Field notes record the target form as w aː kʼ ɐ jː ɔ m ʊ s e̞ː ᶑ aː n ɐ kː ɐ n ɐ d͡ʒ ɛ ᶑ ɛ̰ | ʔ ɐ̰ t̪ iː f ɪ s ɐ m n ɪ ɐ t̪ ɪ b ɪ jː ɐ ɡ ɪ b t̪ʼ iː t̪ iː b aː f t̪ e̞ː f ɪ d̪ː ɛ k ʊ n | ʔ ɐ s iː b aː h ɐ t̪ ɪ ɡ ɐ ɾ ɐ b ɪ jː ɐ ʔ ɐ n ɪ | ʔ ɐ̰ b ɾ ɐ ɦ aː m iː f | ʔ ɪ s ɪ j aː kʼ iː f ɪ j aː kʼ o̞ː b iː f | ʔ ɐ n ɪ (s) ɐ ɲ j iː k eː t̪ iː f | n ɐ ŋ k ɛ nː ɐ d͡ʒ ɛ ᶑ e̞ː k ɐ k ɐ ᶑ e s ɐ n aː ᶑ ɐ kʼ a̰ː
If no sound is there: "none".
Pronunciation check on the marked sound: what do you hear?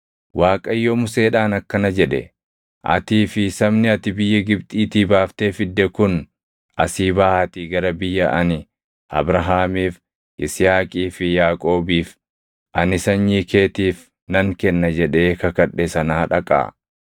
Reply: s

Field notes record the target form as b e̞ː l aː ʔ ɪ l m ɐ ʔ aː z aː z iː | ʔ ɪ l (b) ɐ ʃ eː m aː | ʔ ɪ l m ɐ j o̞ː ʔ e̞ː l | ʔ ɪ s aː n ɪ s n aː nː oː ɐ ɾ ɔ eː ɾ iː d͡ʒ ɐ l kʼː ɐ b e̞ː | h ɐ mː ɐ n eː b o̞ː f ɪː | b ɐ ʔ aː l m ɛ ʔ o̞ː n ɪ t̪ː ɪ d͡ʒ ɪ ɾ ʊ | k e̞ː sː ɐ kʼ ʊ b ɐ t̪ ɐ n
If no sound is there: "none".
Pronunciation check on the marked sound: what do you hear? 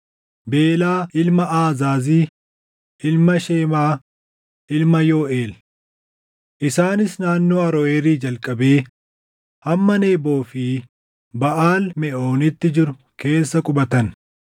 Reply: m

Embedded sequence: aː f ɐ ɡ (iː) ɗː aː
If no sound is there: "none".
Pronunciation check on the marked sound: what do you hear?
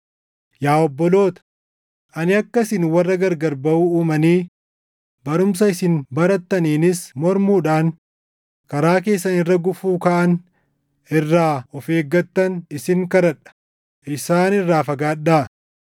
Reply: aː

